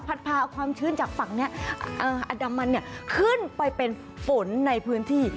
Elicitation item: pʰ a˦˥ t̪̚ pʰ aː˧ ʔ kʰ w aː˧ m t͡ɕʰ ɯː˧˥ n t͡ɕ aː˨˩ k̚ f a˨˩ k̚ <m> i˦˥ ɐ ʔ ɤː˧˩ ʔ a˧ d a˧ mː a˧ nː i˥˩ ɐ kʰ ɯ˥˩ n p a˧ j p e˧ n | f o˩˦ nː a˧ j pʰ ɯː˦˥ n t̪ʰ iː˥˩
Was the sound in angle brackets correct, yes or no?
no